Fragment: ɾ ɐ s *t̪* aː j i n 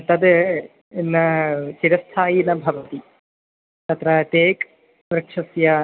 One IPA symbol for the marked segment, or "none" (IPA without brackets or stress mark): t̪ʰ